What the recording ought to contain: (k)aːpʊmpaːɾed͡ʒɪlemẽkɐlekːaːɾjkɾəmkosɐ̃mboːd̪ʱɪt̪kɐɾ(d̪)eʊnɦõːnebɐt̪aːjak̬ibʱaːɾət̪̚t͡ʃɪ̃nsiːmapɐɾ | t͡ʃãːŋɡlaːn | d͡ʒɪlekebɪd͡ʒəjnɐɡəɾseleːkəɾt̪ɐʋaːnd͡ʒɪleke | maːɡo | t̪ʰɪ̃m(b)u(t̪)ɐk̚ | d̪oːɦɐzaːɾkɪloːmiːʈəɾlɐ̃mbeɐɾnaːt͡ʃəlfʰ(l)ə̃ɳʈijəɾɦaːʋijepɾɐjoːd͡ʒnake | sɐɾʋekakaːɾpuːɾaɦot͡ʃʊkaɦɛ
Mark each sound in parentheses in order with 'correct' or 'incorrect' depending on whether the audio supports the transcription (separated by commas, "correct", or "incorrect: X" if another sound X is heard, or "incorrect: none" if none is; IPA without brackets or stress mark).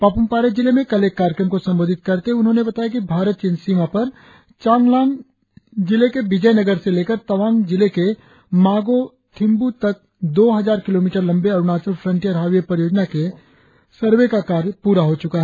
incorrect: p, incorrect: t̪, correct, correct, incorrect: ɾ